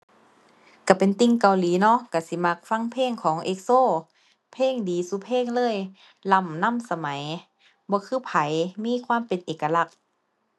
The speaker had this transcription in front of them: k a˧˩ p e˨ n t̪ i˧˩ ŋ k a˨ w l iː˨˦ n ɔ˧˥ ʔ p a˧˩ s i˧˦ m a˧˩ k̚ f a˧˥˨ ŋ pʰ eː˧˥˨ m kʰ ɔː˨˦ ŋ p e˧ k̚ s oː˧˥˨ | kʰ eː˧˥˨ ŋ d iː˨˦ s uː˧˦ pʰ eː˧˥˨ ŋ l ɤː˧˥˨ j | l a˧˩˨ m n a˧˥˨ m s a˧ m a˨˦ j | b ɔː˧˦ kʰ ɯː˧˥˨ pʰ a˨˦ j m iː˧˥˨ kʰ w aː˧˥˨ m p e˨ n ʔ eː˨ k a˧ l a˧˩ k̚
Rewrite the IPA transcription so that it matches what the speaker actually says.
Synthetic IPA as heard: k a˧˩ p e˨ n t̪ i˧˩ ŋ k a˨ w l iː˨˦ n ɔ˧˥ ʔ k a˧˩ s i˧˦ m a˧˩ k̚ f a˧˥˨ ŋ pʰ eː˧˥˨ ŋ kʰ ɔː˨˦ ŋ ʔ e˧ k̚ s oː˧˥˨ | pʰ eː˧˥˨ ŋ d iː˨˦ s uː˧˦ pʰ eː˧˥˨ ŋ l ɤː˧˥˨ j | l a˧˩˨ m n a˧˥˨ m s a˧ m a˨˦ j | b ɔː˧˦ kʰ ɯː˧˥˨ pʰ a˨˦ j m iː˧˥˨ kʰ w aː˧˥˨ m p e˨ n ʔ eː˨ k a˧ l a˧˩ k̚